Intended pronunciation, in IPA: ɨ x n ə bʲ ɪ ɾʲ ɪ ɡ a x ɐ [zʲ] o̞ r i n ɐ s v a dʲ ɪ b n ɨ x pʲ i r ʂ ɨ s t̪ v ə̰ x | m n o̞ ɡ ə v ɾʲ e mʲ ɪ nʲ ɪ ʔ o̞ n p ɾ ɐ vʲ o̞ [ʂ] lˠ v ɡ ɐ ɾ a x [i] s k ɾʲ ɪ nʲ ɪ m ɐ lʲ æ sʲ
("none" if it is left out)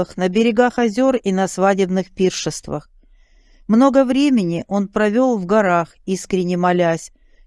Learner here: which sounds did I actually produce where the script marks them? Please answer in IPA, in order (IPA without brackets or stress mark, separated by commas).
zʲ, none, i